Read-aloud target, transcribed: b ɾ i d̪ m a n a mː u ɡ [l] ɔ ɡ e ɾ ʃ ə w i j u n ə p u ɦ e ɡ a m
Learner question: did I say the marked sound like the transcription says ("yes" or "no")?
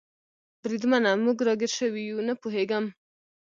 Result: no